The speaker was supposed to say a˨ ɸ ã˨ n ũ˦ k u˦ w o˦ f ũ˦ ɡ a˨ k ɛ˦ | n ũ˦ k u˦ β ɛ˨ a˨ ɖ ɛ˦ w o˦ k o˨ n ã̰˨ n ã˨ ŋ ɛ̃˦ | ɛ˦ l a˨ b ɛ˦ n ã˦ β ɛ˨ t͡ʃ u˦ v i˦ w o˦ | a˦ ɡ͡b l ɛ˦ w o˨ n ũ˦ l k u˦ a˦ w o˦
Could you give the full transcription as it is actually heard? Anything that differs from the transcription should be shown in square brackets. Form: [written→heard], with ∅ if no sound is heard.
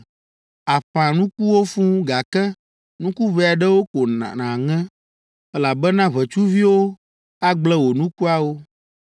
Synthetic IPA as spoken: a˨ ɸ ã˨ n ũ˦ k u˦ w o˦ f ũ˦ ɡ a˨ k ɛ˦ | n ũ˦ k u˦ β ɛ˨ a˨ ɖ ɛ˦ w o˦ k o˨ n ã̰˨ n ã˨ ŋ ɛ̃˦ | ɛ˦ l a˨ b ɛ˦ n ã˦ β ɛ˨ t͡ʃ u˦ v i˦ w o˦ | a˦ ɡ͡b l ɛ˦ w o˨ n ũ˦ [l→∅] k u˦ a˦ w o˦